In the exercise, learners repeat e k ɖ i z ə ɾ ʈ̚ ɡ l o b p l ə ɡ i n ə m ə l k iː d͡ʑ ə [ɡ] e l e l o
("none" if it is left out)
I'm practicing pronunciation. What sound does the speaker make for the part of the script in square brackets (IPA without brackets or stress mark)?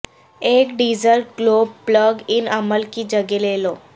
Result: ɡ